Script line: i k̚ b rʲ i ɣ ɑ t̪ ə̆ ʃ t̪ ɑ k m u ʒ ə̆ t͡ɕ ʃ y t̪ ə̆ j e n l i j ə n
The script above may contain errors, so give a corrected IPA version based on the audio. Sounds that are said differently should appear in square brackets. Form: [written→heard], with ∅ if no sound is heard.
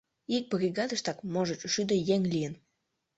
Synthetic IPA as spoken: i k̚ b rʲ i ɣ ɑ [t̪→d̪] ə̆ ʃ t̪ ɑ k m [u→o] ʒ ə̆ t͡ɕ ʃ y [t̪→d̪] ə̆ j e [n→ŋ] l i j ə n